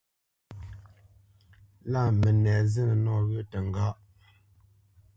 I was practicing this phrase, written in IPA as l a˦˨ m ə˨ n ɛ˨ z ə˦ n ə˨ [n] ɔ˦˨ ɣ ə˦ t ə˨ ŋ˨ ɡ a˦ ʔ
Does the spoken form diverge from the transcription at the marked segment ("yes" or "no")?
no